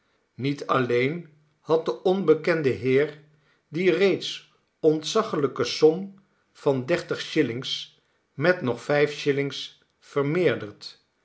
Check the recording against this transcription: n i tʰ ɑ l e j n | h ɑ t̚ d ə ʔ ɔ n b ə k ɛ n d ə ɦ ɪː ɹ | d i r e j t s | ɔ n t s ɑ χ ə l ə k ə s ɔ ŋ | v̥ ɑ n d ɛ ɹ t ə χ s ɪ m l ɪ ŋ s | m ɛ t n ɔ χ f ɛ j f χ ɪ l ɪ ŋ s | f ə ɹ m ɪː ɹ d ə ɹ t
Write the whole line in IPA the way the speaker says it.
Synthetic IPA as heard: n i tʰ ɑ l e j n | h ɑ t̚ d ə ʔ ɔ n b ə k ɛ n d ə ɦ ɪː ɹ | d i r e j t s | ɔ n t s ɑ χ ə l ə k ə s ɔ m | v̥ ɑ n d ɛ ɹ t ə χ ʃ ɪ l ɪ ŋ s | m ɛ t n ɔ χ f ɛ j f ʃ ɪ l ɪ ŋ s | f ə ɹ m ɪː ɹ d ə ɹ t